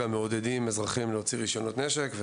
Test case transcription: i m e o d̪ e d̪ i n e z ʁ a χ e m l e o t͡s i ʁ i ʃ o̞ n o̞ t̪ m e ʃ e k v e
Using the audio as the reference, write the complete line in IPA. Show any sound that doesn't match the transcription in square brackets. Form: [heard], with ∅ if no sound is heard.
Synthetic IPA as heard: [a] m e o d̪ e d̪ i [m] e z ʁ a χ [i] m l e o t͡s i ʁ i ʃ o̞ n o̞ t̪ [n] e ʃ e k v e